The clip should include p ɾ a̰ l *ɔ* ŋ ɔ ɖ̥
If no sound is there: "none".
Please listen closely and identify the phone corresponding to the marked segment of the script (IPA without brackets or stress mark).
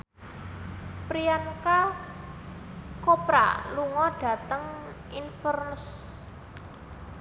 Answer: u